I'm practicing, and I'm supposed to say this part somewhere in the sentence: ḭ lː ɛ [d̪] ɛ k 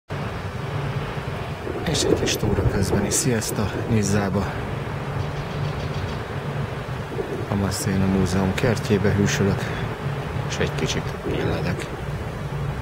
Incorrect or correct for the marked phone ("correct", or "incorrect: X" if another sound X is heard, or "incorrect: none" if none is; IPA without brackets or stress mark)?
correct